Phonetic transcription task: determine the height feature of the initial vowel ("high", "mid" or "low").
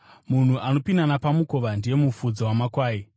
high